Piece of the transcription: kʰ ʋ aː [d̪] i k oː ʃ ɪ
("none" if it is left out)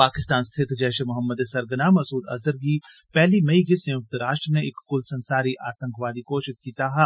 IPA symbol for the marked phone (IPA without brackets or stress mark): d̪